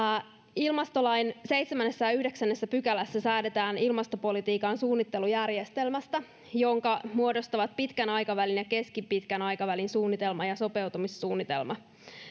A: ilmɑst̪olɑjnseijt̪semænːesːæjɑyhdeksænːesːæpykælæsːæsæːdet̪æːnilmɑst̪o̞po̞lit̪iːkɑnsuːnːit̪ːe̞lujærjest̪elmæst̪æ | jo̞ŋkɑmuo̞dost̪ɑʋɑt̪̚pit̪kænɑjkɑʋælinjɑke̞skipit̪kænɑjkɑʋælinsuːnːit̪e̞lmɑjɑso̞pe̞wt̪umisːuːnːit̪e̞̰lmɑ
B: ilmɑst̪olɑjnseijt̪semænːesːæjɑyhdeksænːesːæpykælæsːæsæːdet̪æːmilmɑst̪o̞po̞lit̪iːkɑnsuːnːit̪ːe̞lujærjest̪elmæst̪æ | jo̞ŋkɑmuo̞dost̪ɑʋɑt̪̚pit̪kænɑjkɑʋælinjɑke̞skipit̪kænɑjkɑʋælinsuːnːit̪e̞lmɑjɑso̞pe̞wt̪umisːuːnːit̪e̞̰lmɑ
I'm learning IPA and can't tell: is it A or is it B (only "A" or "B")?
A